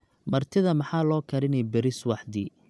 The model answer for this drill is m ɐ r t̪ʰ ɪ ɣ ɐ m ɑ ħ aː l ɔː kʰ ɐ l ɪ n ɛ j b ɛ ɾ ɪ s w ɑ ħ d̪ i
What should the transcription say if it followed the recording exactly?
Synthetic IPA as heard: m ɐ r t̪ʰ ɪ ð ɐ m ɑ ħ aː l ɔː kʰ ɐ ɾ ɪ n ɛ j b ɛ ɾ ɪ s w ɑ ħ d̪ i

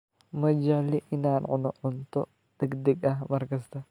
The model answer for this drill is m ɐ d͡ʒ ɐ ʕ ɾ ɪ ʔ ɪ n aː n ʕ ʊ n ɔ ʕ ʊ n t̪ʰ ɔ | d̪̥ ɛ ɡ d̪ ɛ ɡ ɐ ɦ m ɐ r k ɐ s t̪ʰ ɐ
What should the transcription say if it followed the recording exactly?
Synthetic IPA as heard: m ɐ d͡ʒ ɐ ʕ l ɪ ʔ ɪ n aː n ʕ ʊ n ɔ ʕ ʊ n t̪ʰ ɔ | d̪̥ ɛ ɡ d̪ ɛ ɡ ɐ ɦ m ɐ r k ɐ s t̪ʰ ɐ

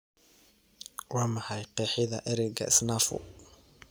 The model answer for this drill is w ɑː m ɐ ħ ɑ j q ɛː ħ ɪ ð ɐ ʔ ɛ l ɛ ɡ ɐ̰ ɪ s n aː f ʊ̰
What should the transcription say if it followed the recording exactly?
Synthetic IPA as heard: w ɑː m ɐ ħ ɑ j q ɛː ħ ɪ ð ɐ ʔ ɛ ɾ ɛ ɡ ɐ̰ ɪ s n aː f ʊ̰

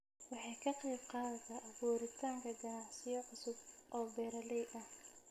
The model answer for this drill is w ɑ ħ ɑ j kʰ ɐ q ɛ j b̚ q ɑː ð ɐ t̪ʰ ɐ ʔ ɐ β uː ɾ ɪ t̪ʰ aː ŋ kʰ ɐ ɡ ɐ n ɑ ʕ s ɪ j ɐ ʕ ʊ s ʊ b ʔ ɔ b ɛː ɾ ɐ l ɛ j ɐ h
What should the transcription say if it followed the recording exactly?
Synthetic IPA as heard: w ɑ ħ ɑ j kʰ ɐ q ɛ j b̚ q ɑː ð ɐ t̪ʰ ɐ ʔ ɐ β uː ɾ ɪ t̪ʰ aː ŋ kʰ ɐ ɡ ɐ n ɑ ʕ s ɪ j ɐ ʕ ʊ s ʊ b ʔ ɔː b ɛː ɾ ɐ l ɛ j ɐ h

